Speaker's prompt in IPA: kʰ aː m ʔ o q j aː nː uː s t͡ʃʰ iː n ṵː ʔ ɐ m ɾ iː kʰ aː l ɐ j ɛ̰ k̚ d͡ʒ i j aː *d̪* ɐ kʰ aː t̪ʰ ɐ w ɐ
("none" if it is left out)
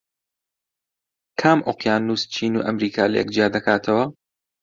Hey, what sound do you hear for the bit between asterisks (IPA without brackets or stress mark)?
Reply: d̪